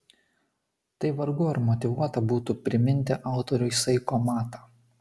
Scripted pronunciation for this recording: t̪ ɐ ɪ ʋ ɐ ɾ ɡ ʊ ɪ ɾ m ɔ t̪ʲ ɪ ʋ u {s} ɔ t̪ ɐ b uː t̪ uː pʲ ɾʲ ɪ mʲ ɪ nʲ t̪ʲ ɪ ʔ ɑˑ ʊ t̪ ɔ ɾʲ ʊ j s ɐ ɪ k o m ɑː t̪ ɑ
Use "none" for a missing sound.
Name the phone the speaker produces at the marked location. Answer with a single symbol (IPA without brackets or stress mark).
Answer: none